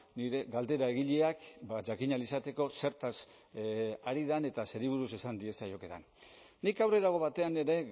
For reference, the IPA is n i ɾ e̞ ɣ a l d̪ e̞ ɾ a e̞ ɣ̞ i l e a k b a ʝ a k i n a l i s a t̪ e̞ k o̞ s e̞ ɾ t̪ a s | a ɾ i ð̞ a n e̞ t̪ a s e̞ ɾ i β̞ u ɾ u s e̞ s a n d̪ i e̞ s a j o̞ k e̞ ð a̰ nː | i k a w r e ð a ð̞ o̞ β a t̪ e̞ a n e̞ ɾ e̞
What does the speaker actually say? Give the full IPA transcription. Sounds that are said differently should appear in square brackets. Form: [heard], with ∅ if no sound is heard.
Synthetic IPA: n i ɾ e̞ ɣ a l d̪ e̞ ɾ a e̞ ɣ̞ i [ʎ] e a k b a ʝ a k i [ɲ] a l i s a t̪ e̞ k o̞ s e̞ ɾ t̪ a s | a ɾ i ð̞ a n e̞ t̪ a s e̞ ɾ i β̞ u ɾ u s e̞ s a n d̪ i e̞ s a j o̞ k e̞ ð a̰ nː | i k a w r e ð a [ɣ̞] o̞ β a t̪ e̞ a n e̞ ɾ e̞